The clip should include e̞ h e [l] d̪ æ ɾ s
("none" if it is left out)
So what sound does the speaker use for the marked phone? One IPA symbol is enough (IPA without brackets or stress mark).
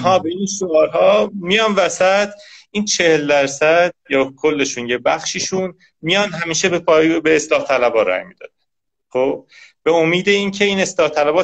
l